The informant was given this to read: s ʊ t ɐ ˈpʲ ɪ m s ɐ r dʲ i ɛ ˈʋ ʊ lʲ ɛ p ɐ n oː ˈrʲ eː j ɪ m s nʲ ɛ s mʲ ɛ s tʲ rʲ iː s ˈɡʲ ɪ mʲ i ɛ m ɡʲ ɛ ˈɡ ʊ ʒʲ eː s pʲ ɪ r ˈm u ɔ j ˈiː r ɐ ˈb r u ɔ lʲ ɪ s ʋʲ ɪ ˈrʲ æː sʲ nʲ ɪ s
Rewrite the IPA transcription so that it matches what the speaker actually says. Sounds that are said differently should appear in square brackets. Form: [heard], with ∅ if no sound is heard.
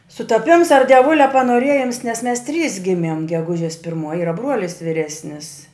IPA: s ʊ t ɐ ˈpʲ ɪ m s ɐ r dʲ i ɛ ˈʋ ʊ lʲ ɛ p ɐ n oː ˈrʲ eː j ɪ m s nʲ ɛ s mʲ ɛ s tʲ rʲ iː s ˈɡʲ ɪ mʲ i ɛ m ɡʲ ɛ ˈɡ ʊ ʒʲ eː s pʲ ɪ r ˈm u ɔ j ˈiː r ɐ ˈb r u ɔ lʲ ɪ s ʋʲ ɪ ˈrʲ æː sʲ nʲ ɪ s